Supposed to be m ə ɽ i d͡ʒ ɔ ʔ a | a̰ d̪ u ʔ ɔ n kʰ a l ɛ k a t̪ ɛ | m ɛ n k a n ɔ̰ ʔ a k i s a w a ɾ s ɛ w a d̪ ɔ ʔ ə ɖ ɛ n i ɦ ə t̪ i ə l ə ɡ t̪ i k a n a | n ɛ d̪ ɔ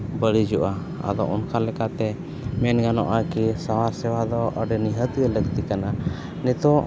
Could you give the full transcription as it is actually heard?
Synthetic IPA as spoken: b ə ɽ i d͡ʒ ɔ ʔ a | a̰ d̪ ɔ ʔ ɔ n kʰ a l ɛ k a t̪ ɛ | m ɛ n ɡ a n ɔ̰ ʔ a k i s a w a ɾ s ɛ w a d̪ ɔ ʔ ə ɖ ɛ n i ɦ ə t̪ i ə l ə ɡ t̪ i k a n a | n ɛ t̪ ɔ